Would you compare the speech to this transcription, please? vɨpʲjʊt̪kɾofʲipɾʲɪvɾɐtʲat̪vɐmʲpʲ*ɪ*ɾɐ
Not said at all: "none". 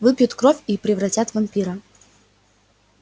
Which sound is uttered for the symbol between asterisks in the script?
i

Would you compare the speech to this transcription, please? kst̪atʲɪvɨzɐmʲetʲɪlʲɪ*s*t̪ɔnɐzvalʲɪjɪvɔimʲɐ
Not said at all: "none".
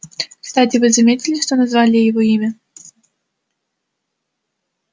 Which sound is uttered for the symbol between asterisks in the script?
ʂ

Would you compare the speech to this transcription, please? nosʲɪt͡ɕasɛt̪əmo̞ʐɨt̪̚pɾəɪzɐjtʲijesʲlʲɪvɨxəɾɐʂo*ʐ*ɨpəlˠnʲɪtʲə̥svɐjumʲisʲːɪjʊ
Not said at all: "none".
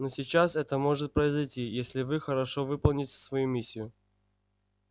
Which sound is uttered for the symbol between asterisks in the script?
v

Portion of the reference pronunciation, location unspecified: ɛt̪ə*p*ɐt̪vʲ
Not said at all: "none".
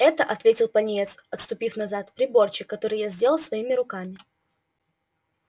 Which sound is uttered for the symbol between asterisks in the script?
ʔ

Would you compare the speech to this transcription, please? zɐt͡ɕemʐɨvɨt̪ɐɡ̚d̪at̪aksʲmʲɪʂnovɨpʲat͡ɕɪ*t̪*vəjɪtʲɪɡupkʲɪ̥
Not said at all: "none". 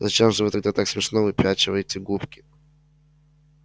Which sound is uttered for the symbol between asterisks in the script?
none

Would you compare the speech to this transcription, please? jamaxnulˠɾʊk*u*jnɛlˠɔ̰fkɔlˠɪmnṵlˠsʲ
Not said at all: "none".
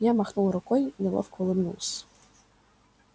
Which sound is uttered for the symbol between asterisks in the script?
ɔ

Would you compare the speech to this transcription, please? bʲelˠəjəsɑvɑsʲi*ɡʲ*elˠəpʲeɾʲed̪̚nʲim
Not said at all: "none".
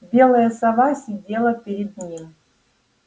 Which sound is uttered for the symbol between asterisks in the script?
dʲ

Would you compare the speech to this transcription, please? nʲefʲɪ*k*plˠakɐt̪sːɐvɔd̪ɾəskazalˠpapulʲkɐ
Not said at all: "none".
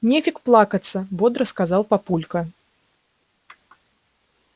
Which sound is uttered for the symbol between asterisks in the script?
k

